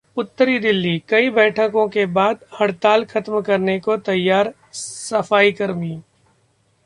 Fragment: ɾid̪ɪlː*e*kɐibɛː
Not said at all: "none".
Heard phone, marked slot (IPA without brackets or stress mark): i